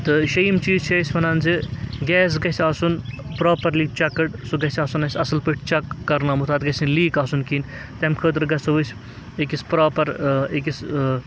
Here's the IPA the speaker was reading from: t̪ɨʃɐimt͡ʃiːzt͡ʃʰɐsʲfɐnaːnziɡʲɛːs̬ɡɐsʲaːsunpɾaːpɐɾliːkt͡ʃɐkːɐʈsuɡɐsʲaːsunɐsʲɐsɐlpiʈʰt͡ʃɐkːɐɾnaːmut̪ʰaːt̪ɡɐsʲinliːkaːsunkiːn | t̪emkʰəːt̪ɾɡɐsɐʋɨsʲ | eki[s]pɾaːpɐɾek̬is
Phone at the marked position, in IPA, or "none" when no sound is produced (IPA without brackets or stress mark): s